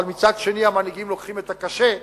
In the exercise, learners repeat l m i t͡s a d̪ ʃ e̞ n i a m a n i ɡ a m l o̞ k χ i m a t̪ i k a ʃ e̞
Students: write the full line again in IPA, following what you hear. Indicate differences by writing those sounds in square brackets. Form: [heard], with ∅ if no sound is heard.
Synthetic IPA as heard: l m i t͡s a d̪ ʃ e̞ n i a m a n i ɡ [i] m l o̞ k χ i m [e] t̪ [a] k a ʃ e̞